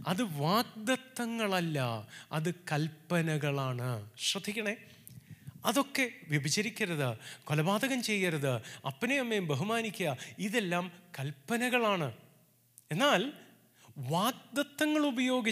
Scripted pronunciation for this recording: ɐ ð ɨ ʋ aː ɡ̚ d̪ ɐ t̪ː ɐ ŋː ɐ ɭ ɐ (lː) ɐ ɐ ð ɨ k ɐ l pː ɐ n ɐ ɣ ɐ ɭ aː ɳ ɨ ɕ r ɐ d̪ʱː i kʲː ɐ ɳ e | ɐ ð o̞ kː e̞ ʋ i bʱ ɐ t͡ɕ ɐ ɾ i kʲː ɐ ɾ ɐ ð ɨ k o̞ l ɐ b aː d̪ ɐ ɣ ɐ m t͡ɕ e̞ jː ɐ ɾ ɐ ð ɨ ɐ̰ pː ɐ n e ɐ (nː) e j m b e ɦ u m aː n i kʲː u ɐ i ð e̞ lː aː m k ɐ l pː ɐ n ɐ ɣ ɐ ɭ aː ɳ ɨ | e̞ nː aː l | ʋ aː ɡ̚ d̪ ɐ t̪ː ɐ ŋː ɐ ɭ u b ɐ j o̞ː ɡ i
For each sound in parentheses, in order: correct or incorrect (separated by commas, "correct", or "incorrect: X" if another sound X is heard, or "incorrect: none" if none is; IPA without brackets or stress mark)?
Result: correct, incorrect: mː